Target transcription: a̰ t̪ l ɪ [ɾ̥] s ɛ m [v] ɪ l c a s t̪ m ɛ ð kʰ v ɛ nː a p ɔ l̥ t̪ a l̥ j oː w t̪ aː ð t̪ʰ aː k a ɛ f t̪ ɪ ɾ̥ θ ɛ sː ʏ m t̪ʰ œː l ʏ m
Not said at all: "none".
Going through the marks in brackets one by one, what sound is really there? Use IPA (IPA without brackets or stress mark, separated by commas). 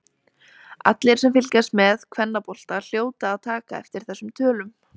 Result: ɾ̥, f